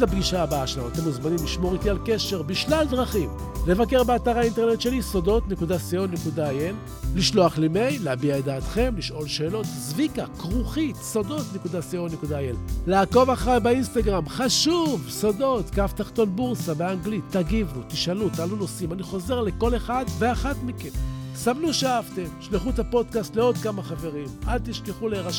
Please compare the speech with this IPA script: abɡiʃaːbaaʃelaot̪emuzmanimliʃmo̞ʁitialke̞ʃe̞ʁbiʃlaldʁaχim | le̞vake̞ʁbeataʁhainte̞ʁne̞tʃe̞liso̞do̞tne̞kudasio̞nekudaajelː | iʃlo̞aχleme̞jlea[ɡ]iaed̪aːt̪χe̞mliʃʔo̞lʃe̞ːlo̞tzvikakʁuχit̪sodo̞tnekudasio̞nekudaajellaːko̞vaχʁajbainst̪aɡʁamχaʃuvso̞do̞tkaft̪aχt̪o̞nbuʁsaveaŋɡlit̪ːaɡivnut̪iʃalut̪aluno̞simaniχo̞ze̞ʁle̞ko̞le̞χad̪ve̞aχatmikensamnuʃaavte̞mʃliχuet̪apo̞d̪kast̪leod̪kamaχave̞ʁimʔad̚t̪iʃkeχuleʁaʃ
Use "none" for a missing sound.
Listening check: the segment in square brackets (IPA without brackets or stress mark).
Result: b